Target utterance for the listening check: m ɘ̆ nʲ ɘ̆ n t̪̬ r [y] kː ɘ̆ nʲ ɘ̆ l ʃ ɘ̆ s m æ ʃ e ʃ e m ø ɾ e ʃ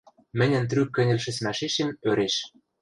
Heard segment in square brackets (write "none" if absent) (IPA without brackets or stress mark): y